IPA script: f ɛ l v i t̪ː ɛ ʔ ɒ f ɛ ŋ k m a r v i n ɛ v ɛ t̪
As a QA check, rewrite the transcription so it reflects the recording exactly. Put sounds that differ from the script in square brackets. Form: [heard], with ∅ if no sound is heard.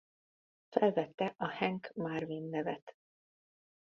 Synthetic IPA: f ɛ l v [ɛ] t̪ː ɛ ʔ ɒ [h] ɛ ŋ k m a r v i [nː] ɛ v ɛ t̪